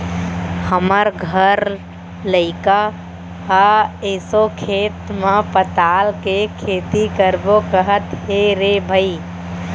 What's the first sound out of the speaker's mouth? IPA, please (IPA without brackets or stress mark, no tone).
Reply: h